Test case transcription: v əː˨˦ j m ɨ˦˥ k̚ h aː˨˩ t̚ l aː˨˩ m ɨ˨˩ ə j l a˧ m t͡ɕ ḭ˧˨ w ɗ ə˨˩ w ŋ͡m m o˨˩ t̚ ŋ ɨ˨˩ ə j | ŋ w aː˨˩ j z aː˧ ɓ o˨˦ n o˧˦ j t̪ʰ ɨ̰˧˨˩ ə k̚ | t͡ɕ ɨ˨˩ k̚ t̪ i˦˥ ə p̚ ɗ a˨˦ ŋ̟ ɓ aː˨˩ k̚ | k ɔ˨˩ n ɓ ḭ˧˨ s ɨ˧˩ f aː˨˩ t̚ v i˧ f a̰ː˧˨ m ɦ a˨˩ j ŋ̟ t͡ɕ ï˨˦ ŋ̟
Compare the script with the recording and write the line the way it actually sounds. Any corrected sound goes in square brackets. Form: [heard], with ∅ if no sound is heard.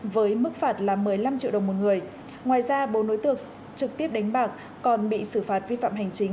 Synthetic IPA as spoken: v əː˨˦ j m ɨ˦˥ k̚ [f] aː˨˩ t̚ l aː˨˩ m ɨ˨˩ ə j l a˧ m t͡ɕ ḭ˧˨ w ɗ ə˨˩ w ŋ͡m m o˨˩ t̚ ŋ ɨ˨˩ ə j | ŋ w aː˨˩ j z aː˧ ɓ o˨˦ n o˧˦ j [t̪] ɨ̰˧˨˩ ə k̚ | t͡ɕ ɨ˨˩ k̚ t̪ i˦˥ ə p̚ ɗ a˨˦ ŋ̟ ɓ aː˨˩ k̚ | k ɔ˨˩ n ɓ ḭ˧˨ s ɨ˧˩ f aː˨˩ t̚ v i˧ f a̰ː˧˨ m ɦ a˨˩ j ŋ̟ t͡ɕ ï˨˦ ŋ̟

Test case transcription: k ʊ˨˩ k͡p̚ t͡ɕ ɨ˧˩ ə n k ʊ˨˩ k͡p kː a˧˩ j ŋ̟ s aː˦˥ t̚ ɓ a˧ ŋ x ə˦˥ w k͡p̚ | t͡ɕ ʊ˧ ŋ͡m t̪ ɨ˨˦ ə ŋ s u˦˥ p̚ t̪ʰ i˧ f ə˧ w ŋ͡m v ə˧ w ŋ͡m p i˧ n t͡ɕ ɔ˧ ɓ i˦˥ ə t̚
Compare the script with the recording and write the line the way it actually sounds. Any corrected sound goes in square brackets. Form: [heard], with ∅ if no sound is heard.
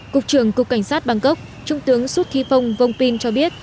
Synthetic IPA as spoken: k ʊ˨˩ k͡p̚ t͡ɕ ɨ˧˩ ə [ŋ] k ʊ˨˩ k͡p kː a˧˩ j ŋ̟ s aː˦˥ t̚ ɓ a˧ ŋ [k] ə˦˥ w k͡p̚ | t͡ɕ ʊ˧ ŋ͡m t̪ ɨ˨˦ ə ŋ s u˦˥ [t̚] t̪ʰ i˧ f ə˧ w ŋ͡m v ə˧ w ŋ͡m p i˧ n t͡ɕ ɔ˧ ɓ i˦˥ ə t̚

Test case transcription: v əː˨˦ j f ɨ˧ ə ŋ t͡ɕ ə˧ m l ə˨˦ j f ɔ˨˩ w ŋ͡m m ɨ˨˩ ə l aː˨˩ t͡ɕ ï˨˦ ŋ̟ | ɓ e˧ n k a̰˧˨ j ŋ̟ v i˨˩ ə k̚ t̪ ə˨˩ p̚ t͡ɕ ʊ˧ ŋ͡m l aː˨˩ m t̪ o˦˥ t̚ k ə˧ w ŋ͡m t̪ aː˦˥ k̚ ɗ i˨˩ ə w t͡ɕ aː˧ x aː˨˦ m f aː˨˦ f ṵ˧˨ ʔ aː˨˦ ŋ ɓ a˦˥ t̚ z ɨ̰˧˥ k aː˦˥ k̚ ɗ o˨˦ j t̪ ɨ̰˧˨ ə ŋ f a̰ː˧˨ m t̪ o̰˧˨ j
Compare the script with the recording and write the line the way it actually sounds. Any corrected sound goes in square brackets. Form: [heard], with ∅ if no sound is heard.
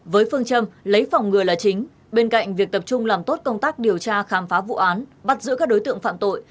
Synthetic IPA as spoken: v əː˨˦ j f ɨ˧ ə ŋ t͡ɕ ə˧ m l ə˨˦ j f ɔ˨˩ w ŋ͡m [ŋ] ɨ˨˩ ə l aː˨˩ t͡ɕ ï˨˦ ŋ̟ | ɓ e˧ n k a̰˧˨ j ŋ̟ v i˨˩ ə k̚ t̪ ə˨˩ p̚ t͡ɕ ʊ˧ ŋ͡m l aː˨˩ m t̪ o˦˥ t̚ k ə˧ w ŋ͡m t̪ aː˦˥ k̚ ɗ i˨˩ ə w t͡ɕ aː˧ x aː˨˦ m f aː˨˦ [v] ṵ˧˨ ʔ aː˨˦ [n] ɓ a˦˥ t̚ z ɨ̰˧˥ k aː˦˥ k̚ ɗ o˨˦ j t̪ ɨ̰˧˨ ə ŋ f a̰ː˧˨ m t̪ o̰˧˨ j

